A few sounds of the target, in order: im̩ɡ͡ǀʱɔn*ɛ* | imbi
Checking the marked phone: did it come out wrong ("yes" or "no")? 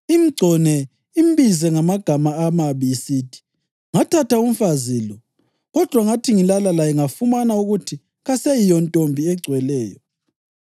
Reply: no